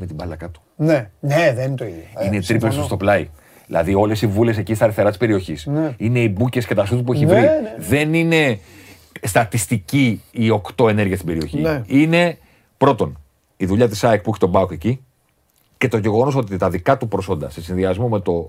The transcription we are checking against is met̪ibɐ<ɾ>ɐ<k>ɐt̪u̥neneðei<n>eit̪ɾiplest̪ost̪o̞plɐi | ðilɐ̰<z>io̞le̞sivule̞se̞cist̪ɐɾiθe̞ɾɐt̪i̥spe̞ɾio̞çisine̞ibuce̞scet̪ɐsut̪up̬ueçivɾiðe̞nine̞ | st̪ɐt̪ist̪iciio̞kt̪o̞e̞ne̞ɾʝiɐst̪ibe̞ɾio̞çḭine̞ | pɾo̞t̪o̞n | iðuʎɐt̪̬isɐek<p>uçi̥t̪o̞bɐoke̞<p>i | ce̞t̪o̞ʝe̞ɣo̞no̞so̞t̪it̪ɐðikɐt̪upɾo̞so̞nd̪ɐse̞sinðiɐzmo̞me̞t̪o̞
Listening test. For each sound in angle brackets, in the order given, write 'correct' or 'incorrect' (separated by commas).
incorrect, correct, correct, incorrect, correct, incorrect